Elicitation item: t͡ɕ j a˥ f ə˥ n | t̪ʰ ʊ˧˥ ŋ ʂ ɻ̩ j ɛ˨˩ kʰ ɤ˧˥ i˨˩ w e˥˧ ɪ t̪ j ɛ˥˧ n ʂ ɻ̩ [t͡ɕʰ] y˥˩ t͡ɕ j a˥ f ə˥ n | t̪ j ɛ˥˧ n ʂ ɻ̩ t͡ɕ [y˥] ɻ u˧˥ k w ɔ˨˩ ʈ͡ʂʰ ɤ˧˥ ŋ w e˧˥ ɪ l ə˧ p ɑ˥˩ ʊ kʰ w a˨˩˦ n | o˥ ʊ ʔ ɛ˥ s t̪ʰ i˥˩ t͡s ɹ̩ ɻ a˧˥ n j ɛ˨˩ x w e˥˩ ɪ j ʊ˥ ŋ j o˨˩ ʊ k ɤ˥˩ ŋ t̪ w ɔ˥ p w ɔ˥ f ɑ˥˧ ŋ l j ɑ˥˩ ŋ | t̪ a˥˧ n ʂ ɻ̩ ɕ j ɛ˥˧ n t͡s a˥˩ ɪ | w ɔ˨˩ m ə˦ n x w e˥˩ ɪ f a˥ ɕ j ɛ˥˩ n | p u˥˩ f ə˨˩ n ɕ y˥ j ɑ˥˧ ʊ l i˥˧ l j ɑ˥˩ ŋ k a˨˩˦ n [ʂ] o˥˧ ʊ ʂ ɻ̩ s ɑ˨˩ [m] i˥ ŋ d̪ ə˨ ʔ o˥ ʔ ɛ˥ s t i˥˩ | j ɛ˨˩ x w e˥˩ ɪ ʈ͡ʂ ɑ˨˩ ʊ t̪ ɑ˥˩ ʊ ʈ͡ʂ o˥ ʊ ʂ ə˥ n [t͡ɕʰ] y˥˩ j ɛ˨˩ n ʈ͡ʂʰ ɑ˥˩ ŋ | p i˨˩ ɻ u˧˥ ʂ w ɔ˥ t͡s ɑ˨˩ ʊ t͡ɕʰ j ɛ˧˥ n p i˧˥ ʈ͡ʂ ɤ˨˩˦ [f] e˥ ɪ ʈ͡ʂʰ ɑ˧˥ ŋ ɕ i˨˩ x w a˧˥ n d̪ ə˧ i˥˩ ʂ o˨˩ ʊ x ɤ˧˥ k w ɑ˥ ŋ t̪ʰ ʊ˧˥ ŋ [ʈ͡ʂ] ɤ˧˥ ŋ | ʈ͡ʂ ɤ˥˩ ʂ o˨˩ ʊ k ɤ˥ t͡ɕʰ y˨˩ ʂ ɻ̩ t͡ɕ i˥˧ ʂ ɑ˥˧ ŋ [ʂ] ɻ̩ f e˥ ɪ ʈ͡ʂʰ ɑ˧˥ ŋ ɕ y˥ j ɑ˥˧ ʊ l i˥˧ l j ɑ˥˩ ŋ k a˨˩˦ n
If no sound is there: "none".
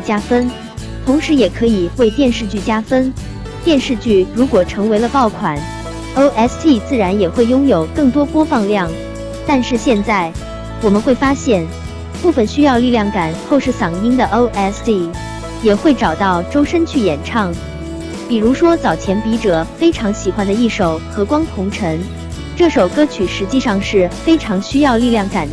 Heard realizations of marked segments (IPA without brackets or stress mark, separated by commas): t͡ɕ, y˥˩, x, ŋ, t͡ɕʰ, f, ʈ͡ʂʰ, ʂ